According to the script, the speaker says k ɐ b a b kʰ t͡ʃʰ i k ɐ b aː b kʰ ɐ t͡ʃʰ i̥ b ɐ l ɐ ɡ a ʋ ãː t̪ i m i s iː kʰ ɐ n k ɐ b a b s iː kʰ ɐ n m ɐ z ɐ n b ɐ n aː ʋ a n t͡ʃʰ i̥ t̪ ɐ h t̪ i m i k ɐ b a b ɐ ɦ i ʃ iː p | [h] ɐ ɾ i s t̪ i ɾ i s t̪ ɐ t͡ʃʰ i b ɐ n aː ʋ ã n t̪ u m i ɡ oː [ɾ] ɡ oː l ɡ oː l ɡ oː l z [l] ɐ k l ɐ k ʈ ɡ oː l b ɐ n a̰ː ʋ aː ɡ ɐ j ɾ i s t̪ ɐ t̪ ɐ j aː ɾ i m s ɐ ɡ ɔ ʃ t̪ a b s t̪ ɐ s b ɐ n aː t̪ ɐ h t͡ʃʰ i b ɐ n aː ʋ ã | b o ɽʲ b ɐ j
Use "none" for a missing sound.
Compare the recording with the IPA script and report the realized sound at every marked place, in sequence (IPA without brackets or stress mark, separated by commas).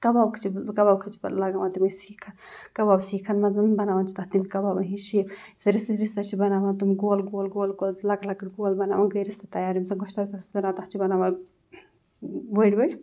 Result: s, l, l